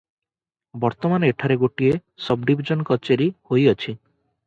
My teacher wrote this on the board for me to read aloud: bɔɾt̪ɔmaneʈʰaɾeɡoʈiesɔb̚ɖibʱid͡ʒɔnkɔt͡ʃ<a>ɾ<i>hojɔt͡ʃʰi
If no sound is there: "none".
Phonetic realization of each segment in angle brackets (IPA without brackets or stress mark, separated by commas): e, i